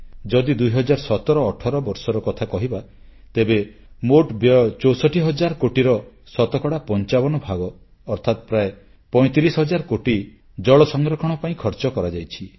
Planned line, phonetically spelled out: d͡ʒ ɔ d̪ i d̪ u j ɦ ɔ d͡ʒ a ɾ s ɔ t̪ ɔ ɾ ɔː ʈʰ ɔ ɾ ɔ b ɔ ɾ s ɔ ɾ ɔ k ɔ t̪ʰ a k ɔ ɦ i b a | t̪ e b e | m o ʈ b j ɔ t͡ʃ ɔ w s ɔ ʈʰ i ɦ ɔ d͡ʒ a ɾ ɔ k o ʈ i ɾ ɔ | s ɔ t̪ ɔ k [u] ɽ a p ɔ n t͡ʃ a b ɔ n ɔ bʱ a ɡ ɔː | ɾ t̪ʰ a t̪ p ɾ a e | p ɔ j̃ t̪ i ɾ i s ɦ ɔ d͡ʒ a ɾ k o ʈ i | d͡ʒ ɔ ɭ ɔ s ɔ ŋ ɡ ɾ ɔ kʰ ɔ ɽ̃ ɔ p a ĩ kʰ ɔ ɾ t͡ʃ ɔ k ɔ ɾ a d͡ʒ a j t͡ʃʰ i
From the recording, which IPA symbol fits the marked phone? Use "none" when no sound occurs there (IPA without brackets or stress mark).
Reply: ɔ